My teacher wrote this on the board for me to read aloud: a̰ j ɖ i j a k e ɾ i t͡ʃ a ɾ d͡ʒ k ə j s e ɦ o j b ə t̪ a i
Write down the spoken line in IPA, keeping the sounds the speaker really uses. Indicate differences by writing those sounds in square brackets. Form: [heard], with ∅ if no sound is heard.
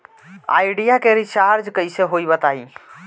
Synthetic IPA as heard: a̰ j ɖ i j a k e ɾ i t͡ʃ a ɾ d͡ʒ k ə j s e ɦ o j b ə t̪ a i